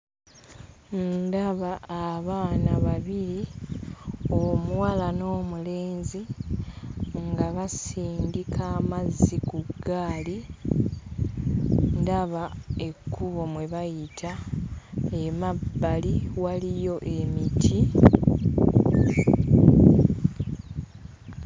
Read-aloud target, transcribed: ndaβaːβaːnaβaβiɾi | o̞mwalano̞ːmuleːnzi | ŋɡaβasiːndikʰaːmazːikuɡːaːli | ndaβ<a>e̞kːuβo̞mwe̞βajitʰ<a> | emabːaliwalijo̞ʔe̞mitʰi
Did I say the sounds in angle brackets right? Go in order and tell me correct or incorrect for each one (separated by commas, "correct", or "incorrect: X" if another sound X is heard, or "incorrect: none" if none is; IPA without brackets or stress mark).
correct, correct